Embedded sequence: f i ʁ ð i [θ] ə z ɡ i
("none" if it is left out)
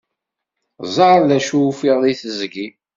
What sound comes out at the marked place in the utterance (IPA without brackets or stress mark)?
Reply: θ